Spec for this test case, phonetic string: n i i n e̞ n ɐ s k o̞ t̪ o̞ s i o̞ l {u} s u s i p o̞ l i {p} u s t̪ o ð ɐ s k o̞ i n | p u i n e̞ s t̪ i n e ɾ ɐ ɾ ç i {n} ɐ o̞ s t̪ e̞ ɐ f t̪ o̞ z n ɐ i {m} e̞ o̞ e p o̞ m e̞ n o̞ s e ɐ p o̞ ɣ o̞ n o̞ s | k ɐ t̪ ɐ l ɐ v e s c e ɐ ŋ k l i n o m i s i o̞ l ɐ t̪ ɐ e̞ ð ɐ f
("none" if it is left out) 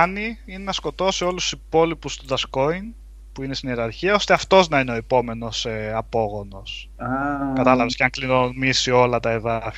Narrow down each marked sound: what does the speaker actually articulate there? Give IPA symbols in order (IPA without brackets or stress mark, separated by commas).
u, p, none, n